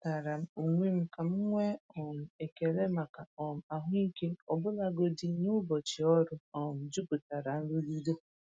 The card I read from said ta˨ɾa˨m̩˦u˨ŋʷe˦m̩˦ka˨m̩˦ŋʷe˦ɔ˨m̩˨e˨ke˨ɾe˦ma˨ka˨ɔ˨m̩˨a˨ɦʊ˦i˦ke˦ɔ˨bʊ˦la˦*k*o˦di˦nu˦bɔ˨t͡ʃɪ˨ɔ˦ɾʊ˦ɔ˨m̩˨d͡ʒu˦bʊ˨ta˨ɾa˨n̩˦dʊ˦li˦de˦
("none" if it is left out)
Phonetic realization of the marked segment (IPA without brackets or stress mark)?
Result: ɡ